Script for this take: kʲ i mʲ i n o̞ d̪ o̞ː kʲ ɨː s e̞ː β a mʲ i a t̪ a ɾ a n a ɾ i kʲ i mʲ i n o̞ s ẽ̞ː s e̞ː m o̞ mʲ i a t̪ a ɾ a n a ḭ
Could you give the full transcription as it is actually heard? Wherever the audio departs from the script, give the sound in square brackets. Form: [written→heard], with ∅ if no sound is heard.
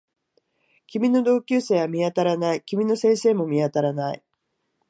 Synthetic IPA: kʲ i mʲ i n o̞ d̪ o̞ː kʲ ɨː s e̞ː β a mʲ i a t̪ a ɾ a n a [ɾ→∅] i kʲ i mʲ i n o̞ s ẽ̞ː s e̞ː m o̞ mʲ i a t̪ a ɾ a n a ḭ